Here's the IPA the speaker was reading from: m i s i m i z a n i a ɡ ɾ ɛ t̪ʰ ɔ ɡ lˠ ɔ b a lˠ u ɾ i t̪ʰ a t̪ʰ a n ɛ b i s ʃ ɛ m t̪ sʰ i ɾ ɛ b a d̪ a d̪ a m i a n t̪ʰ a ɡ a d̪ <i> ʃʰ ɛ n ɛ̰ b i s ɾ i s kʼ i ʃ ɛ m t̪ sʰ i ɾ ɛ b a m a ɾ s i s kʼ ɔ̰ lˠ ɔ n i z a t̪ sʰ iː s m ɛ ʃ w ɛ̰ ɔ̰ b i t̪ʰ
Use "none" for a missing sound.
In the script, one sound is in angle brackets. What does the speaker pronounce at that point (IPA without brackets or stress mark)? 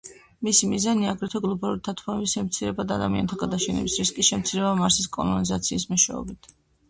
a